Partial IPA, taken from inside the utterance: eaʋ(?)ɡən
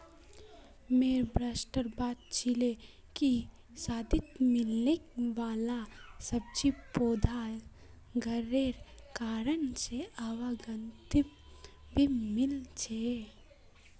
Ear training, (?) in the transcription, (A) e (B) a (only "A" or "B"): B